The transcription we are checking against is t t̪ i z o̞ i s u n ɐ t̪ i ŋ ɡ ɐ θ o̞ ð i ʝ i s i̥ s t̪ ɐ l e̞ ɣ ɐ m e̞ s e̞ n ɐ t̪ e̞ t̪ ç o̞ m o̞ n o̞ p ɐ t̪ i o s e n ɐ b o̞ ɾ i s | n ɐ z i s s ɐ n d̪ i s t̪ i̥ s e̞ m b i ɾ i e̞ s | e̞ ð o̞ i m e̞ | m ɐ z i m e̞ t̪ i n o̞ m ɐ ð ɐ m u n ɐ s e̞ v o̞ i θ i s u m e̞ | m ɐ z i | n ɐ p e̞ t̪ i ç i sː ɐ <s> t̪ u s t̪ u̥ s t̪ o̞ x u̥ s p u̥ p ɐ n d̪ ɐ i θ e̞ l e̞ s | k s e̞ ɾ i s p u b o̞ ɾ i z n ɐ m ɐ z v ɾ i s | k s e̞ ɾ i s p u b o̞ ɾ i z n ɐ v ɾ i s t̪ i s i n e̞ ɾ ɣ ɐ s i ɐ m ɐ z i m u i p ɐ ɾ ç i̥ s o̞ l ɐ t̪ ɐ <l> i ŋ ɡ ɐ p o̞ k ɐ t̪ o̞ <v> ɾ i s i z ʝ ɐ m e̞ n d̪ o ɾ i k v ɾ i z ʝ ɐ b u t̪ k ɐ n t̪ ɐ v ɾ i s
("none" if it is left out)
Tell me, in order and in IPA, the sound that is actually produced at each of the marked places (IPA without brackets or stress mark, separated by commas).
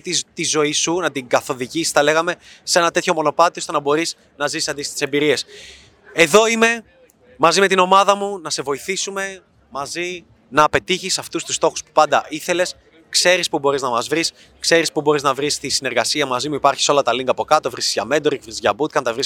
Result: f, l, v